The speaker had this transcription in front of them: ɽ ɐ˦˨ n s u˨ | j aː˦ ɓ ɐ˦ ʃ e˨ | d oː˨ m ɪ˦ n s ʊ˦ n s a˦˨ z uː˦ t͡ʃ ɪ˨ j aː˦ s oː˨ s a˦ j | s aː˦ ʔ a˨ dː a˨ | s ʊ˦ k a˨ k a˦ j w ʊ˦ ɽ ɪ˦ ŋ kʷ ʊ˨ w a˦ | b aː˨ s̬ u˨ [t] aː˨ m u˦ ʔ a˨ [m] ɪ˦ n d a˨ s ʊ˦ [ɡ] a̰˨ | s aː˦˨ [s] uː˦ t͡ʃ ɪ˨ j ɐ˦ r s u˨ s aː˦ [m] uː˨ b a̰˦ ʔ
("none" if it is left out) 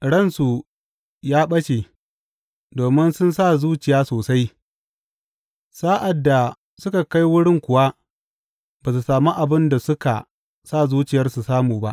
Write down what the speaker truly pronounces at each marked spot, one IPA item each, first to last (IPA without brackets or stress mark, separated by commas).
s, b, k, z, m